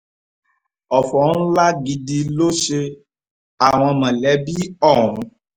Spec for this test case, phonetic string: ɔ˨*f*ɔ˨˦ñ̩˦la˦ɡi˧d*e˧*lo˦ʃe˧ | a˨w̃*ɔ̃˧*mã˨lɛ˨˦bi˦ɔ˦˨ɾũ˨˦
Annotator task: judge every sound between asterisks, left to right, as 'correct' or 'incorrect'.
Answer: correct, incorrect: i˧, correct

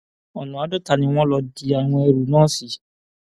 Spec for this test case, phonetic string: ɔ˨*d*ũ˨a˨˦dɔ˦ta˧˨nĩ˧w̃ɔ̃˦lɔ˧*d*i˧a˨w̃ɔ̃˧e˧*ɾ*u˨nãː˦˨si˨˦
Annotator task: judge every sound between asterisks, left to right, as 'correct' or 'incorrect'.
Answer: incorrect: n, correct, correct

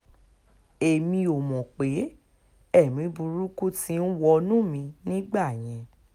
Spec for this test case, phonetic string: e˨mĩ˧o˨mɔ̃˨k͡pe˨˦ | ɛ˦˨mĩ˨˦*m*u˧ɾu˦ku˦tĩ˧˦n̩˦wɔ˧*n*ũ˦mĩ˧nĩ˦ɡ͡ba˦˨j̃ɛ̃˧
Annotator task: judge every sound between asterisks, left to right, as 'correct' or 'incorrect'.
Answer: incorrect: b, correct

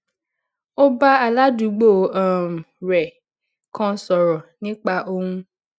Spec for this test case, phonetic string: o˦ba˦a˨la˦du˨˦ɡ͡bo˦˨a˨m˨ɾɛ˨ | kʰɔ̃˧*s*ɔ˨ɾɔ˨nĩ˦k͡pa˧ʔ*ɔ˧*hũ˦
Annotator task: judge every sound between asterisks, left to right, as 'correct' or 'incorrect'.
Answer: correct, incorrect: o˧

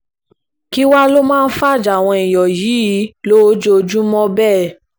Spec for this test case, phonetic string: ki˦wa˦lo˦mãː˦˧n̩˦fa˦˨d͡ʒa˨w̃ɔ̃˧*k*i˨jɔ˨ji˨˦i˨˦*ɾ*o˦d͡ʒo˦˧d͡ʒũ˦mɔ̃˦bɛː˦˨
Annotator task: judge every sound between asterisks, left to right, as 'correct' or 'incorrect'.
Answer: incorrect: none, incorrect: l

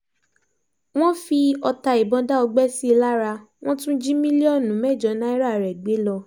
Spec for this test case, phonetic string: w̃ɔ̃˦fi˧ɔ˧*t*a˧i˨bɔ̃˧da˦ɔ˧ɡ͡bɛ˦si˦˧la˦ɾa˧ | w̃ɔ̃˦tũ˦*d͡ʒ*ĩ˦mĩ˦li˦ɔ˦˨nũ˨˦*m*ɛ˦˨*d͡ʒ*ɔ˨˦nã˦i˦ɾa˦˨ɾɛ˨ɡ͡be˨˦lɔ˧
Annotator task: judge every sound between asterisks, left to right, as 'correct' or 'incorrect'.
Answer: correct, correct, correct, correct

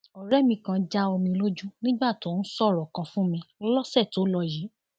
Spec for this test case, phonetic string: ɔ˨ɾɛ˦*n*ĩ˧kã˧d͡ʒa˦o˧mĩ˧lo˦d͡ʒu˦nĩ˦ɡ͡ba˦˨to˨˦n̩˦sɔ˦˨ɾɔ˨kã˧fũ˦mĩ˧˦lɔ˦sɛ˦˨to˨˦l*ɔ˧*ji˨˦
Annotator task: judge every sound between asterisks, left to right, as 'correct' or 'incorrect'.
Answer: incorrect: m, correct

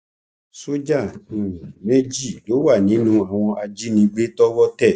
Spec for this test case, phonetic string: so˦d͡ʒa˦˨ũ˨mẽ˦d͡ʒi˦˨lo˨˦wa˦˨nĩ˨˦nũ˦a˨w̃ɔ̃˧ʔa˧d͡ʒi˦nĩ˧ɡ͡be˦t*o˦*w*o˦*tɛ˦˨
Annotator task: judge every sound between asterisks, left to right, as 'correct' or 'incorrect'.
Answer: incorrect: ɔ˦, incorrect: ɔ˦

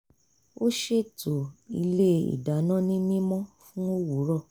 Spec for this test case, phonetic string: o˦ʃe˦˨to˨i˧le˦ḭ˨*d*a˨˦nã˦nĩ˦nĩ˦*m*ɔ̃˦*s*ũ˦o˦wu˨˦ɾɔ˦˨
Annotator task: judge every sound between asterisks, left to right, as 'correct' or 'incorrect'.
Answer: correct, correct, incorrect: f

